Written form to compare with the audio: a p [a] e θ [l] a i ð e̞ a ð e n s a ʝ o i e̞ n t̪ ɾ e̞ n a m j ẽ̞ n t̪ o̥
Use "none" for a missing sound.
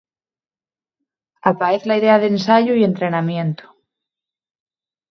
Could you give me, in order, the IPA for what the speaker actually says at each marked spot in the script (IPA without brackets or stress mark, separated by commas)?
a, l